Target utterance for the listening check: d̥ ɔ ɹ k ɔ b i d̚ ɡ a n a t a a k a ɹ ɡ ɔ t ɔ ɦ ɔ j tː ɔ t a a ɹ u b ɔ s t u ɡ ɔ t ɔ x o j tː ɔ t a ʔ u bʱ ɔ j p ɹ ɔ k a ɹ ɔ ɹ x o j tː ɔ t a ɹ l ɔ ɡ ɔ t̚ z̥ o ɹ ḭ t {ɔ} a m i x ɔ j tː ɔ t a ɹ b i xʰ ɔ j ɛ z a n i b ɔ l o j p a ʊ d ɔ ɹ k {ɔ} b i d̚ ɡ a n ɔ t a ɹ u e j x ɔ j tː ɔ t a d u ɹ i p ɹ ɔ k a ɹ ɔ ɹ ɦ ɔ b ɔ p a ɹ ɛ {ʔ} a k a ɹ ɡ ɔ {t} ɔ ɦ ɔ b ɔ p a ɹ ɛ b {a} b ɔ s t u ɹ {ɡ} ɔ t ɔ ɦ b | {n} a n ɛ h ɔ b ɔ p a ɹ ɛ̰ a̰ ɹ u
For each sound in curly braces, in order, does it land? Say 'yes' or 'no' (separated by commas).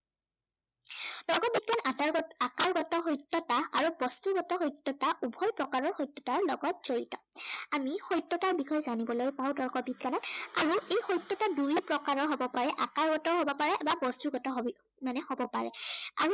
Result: yes, yes, yes, yes, yes, yes, no